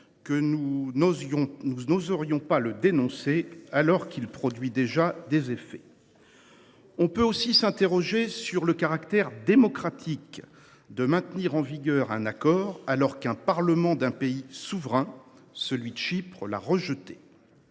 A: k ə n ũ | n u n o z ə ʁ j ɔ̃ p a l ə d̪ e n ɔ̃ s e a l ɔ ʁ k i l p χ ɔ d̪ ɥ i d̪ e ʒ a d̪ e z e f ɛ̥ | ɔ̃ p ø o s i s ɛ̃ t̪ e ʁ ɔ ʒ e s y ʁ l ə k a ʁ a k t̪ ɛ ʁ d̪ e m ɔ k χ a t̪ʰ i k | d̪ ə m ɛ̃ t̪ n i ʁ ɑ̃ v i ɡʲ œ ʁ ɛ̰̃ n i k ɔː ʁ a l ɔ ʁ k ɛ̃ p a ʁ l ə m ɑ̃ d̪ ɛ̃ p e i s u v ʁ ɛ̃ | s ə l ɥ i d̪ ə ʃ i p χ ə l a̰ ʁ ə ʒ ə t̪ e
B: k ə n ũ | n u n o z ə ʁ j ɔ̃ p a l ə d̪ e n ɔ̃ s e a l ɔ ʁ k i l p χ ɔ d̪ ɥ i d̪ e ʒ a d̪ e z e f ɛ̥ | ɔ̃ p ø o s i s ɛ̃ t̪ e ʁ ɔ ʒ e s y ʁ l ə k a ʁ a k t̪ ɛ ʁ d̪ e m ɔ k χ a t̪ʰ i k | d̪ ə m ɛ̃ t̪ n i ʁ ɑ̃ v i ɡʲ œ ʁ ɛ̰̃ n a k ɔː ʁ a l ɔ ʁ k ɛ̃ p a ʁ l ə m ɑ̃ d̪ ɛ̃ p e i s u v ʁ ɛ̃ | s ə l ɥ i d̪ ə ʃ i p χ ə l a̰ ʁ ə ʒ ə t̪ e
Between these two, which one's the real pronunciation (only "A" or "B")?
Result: B